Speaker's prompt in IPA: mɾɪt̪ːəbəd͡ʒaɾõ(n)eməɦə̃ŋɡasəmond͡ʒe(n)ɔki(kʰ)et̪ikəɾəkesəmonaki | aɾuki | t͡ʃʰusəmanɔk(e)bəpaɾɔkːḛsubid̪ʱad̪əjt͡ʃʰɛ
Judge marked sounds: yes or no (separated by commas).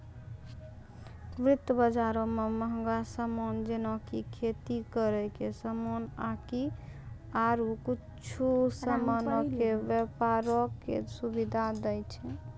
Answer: no, yes, yes, yes